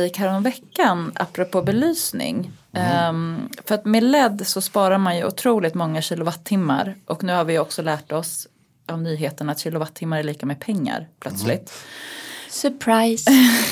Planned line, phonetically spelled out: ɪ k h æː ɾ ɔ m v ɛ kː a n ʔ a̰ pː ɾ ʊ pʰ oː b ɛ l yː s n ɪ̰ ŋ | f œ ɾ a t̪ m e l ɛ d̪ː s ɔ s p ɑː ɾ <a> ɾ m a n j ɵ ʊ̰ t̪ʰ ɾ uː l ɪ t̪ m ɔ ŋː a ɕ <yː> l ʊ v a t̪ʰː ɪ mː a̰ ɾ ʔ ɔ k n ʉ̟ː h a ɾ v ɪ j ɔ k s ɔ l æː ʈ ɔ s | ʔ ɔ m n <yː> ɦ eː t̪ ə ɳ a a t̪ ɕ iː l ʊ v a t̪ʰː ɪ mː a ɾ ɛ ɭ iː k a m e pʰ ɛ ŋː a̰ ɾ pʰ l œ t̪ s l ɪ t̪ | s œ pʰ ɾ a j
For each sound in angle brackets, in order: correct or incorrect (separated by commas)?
correct, incorrect, correct